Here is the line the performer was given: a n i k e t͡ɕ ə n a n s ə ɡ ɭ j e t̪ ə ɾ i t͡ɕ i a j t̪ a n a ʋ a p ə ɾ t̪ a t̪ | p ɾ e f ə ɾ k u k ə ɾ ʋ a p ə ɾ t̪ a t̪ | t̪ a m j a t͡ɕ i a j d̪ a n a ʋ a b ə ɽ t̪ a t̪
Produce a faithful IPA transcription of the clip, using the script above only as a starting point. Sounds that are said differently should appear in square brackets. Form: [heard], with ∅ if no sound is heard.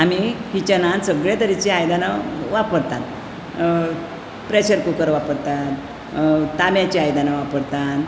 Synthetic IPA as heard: a [m] i k [i] t͡ɕ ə n a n s ə ɡ ɭ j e t̪ ə ɾ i t͡ɕ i a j [d̪] a n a ʋ a p ə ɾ t̪ a t̪ | p ɾ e [ɕ] ə ɾ k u k ə ɾ ʋ a p ə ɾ t̪ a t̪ | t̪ a m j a t͡ɕ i a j d̪ a n a ʋ a [p] ə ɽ t̪ a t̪